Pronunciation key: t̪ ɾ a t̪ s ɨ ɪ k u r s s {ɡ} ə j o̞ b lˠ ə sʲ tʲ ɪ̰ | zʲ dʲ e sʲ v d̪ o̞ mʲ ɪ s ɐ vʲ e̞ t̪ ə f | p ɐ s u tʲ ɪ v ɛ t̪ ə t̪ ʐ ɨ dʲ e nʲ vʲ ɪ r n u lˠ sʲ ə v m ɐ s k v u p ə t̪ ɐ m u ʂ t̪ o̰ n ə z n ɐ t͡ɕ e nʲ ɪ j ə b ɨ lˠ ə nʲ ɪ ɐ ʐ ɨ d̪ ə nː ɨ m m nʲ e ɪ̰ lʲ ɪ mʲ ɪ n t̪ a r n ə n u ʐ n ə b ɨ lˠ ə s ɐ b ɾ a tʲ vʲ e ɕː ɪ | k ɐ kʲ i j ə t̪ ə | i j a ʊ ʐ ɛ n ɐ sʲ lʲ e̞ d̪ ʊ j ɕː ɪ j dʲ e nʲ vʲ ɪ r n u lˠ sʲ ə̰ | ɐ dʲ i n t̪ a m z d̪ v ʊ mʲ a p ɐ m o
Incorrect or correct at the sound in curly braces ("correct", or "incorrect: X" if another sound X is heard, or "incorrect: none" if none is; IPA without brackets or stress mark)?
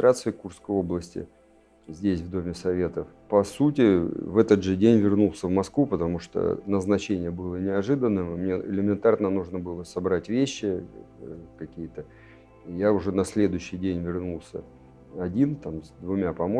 incorrect: k